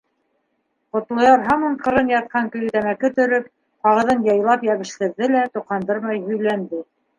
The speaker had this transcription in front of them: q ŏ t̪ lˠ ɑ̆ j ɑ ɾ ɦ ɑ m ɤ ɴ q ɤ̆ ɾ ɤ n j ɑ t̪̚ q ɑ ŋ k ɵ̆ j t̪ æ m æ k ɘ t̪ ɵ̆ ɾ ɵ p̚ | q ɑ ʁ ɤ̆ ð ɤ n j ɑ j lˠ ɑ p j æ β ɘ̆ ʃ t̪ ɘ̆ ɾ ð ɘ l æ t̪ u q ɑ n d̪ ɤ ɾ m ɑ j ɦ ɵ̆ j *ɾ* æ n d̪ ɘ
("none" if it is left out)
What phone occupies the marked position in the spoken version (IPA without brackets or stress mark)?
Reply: l